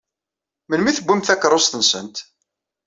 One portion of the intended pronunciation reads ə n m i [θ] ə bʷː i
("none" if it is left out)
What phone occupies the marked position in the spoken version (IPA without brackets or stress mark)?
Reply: θ